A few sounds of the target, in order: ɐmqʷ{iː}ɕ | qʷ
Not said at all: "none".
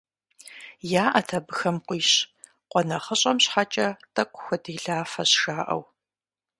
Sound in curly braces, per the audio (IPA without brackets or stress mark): iː